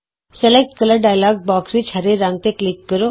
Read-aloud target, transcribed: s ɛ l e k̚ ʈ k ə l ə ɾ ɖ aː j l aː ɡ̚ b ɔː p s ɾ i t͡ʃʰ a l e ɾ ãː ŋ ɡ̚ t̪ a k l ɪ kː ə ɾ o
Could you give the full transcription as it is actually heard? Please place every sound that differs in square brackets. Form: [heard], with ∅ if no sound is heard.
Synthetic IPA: s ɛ l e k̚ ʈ k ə l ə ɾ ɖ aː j l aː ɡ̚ b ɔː [k] s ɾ i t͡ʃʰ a [ɾ] e ɾ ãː ŋ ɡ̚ t̪ [e] k l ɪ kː ə ɾ o